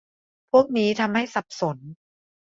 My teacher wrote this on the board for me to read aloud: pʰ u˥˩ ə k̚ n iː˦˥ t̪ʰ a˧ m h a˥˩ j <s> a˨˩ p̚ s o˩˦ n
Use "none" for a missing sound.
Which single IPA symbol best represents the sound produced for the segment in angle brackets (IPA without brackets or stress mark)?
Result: s